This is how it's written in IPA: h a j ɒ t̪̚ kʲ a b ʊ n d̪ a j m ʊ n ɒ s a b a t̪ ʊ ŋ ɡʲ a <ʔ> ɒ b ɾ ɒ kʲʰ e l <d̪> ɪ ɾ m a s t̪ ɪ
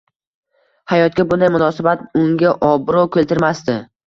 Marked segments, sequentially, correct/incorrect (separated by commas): correct, incorrect